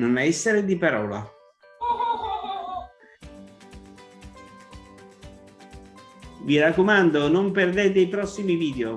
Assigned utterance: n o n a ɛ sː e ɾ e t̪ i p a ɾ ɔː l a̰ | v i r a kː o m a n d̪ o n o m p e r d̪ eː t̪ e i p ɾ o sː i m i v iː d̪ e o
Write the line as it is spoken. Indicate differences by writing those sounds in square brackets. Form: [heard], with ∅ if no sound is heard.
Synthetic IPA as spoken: n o n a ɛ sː e ɾ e [d̪] i p a ɾ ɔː l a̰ | v i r a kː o m a n d̪ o n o m p e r d̪ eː t̪ e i p ɾ [ɔ] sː i m i v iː d̪ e o

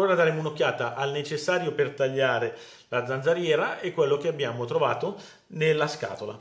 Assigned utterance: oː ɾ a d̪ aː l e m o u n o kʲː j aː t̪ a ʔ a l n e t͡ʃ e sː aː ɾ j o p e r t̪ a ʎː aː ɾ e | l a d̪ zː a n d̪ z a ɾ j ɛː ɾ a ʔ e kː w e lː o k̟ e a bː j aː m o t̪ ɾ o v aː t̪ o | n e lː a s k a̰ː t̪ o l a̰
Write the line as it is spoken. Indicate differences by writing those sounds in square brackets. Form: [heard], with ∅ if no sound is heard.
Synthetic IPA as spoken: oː ɾ a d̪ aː [ɾ] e m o u n o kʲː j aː t̪ a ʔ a l n e t͡ʃ e sː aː ɾ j o p e r t̪ a ʎː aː ɾ e | l a d̪ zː a n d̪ z a ɾ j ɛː ɾ a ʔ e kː w e lː o k̟ e a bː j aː m o t̪ ɾ o v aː t̪ o | n e lː a s k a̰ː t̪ o l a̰

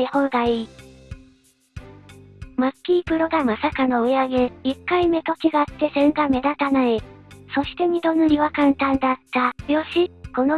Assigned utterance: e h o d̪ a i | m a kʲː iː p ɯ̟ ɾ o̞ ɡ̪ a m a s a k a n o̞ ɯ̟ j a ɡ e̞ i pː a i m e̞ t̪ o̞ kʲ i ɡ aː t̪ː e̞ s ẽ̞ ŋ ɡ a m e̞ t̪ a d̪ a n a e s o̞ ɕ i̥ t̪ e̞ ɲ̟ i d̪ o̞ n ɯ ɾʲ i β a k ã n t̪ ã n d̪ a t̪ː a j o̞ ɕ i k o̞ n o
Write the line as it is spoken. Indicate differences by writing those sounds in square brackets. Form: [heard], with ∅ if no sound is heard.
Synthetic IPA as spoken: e h o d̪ a i | m a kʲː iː p ɯ̟ ɾ o̞ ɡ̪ a m a s a k a n o̞ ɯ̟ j a ɡ e̞ i [kː] a i m e̞ t̪ o̞ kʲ i ɡ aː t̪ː e̞ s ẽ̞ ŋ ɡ a m e̞ [d̪] a [t̪] a n a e s o̞ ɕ i̥ t̪ e̞ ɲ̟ i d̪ o̞ n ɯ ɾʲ i β a k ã n t̪ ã n d̪ a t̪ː a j o̞ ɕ i k o̞ n o

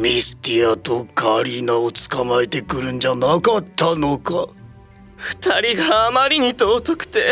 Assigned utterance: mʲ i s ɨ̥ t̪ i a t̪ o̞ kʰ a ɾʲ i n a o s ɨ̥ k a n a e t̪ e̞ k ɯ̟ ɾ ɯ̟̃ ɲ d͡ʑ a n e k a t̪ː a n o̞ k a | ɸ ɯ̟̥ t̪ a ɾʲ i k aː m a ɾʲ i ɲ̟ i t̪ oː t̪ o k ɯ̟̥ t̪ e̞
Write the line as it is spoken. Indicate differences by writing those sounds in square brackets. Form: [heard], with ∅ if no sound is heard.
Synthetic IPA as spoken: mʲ i s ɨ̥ t̪ i a t̪ o̞ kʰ a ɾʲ i n a o [t͡s] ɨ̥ k a [m] a e t̪ e̞ k ɯ̟ ɾ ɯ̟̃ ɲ d͡ʑ a n [a] k a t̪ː a n o̞ k a | ɸ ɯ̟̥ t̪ a ɾʲ i [ɡ] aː m a ɾʲ i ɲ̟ i t̪ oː t̪ o k ɯ̟̥ t̪ e̞

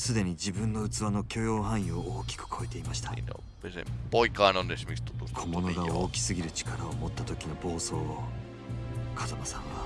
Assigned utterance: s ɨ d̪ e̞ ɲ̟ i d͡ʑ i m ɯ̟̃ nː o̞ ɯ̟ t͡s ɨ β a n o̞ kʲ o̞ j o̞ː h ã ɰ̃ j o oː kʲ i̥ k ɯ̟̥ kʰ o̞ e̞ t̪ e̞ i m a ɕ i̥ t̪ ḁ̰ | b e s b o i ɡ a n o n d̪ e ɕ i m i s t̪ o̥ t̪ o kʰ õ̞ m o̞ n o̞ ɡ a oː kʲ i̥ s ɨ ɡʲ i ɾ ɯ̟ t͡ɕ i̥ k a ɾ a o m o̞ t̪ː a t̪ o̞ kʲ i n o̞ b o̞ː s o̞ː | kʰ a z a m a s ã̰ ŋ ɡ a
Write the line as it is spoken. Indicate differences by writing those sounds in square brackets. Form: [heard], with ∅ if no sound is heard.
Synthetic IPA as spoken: s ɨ d̪ e̞ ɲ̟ i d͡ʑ i [b] ɯ̟̃ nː o̞ ɯ̟ t͡s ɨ β a n o̞ kʲ o̞ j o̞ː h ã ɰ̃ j o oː kʲ i̥ k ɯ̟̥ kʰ o̞ e̞ t̪ e̞ i m a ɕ i̥ t̪ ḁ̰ | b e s b o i [k] a n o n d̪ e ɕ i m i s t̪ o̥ t̪ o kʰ [o̞] m o̞ n o̞ ɡ a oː kʲ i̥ s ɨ ɡʲ i ɾ ɯ̟ t͡ɕ i̥ k a ɾ a o m o̞ t̪ː a t̪ o̞ kʲ i n o̞ b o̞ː s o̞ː | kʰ a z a m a s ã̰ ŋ ɡ a

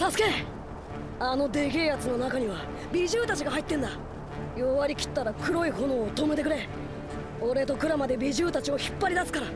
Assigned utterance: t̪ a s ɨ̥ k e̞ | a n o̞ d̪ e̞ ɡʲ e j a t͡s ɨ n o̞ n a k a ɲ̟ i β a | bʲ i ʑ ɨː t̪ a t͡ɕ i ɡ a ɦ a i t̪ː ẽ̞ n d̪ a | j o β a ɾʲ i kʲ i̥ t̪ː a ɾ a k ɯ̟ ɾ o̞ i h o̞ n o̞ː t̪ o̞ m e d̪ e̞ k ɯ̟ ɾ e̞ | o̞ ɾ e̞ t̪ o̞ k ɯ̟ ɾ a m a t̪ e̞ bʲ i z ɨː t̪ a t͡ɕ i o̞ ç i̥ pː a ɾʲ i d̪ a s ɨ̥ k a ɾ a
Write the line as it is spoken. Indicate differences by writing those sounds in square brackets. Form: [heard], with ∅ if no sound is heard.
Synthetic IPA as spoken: t̪ a s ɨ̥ k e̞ | a n o̞ d̪ e̞ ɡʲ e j a t͡s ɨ n o̞ n a k a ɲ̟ i β a | bʲ i ʑ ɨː t̪ a t͡ɕ i ɡ a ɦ a i t̪ː ẽ̞ n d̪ a | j o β a ɾʲ i kʲ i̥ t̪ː a ɾ a k ɯ̟ ɾ o̞ i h o̞ n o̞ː t̪ o̞ m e [t̪] e̞ k ɯ̟ ɾ e̞ | o̞ ɾ e̞ t̪ o̞ k ɯ̟ ɾ a m a [d̪] e̞ bʲ i [ʑ] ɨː t̪ a t͡ɕ i o̞ ç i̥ pː a ɾʲ i d̪ a s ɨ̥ k a ɾ a

